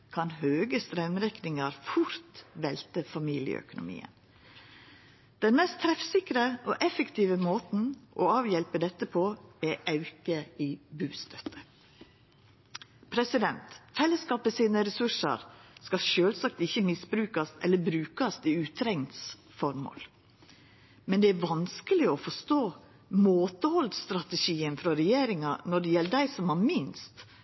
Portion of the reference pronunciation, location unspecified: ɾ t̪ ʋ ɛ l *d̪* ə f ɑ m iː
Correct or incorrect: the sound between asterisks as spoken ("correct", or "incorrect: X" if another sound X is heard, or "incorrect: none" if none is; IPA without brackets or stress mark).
incorrect: t̪